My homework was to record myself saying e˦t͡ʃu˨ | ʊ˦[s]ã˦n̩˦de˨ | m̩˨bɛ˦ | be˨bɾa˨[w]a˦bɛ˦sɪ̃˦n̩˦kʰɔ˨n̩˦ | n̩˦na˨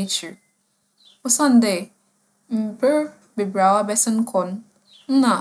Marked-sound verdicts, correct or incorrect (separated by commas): correct, correct